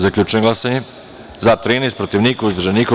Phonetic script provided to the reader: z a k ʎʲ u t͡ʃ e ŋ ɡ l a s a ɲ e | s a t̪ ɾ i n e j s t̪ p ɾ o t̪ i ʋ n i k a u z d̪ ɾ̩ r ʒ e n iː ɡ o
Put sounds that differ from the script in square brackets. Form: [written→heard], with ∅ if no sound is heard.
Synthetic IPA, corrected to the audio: z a k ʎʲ u t͡ʃ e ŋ ɡ l a s a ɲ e | [s→z] a t̪ ɾ i n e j s t̪ p ɾ o t̪ i ʋ n i k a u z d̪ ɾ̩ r ʒ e n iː [ɡ→k] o